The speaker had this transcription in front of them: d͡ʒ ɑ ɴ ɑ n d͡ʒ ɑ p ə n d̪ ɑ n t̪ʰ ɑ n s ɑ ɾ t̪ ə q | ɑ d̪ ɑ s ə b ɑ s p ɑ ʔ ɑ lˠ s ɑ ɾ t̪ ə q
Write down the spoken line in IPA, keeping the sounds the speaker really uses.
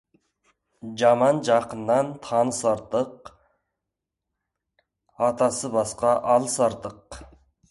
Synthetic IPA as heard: d͡ʒ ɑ m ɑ n d͡ʒ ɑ q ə n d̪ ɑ n t̪ʰ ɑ n s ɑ ɾ t̪ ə q | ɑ t̪ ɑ s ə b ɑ s q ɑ ʔ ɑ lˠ s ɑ ɾ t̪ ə q